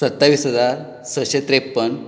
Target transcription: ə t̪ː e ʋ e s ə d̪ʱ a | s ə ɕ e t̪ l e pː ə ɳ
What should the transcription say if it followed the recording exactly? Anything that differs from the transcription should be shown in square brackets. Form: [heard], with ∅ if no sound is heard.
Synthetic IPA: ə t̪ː [a] ʋ [i] s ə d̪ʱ a | s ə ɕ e t̪ [ɾ] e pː ə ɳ